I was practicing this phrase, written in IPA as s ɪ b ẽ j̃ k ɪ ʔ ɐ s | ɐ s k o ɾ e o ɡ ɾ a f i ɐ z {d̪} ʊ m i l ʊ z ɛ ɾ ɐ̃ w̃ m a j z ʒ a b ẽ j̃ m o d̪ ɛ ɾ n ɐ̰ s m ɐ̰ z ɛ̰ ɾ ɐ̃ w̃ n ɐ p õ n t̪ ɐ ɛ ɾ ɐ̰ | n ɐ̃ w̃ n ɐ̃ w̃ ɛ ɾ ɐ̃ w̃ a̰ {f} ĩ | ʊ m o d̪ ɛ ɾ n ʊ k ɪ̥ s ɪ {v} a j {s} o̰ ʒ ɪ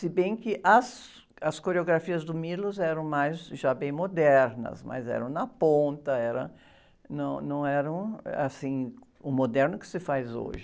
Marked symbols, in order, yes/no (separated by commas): yes, no, no, no